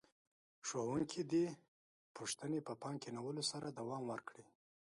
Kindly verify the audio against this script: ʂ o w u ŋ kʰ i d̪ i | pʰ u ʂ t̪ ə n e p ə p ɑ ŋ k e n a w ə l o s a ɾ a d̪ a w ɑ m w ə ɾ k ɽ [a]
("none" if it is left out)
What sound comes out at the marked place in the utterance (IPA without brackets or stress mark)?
i